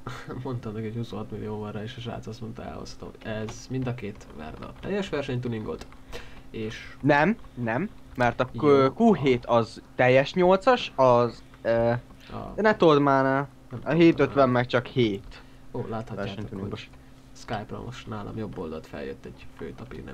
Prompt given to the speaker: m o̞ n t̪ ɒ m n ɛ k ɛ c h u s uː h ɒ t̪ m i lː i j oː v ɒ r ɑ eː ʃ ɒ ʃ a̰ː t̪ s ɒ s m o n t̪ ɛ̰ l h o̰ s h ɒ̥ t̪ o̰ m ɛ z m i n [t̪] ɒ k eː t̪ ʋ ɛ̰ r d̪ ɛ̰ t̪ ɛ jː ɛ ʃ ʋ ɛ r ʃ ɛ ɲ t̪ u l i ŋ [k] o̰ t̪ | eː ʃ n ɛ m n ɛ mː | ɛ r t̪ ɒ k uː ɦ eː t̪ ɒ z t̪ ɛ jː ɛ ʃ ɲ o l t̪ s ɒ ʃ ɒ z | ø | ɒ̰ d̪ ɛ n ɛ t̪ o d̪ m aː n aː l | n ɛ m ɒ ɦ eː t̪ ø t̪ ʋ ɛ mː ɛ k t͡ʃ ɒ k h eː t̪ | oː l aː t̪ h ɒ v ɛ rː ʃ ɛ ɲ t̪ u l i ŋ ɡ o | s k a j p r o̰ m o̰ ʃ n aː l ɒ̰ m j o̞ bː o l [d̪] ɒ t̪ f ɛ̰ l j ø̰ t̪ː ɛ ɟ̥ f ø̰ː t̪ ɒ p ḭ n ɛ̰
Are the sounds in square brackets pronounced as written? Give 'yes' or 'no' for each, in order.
no, no, yes

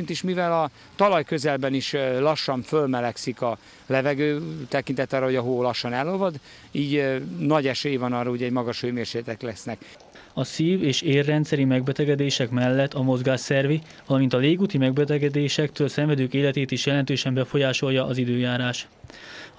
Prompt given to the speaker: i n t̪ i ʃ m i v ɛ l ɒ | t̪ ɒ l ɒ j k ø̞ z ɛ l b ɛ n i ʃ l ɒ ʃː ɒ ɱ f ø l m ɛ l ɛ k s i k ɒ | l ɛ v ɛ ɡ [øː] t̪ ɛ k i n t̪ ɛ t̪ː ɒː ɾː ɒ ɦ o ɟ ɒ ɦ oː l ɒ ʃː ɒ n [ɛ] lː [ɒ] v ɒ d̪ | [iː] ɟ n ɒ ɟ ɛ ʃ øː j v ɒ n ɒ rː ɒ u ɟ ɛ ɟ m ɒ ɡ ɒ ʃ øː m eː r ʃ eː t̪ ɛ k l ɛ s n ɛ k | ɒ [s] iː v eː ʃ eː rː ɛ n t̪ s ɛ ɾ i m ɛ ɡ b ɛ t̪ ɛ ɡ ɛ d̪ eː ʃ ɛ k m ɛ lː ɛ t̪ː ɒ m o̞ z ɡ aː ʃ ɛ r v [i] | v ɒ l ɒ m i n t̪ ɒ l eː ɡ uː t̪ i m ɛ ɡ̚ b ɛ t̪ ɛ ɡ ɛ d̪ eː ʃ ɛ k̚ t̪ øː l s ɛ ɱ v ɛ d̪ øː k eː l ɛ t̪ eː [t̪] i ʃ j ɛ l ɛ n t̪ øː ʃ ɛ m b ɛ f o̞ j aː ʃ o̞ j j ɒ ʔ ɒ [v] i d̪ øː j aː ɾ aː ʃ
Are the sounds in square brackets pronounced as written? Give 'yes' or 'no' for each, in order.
yes, yes, no, yes, yes, yes, yes, no

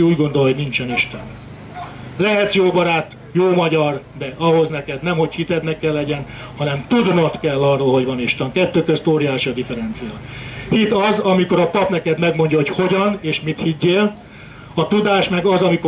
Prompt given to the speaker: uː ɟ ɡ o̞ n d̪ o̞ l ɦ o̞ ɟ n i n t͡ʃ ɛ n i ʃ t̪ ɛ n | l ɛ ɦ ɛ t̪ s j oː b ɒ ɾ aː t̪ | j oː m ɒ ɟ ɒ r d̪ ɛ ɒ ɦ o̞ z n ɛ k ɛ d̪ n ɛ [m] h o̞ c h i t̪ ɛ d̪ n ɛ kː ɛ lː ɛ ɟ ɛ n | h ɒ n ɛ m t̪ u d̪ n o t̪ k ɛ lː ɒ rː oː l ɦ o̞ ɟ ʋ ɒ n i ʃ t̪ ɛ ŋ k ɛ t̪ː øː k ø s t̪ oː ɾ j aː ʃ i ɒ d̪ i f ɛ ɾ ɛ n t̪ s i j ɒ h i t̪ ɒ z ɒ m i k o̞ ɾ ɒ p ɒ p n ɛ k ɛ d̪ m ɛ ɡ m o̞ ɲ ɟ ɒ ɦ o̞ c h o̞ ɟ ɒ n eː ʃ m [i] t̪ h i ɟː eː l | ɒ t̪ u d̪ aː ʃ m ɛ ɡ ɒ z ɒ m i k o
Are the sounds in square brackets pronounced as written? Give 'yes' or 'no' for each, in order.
yes, yes

